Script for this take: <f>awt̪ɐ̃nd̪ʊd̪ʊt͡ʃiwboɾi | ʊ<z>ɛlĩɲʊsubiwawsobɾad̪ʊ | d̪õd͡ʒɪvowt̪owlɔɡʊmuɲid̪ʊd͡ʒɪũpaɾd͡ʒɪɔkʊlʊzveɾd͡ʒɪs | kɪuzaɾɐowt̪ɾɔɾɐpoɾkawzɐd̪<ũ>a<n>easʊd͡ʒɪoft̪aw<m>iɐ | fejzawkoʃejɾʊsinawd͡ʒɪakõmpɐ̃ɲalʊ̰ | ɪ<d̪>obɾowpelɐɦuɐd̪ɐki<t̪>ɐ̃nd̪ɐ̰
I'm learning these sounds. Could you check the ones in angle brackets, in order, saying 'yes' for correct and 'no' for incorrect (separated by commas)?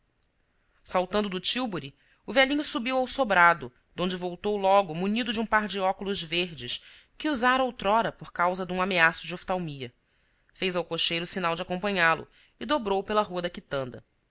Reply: no, no, yes, no, yes, yes, yes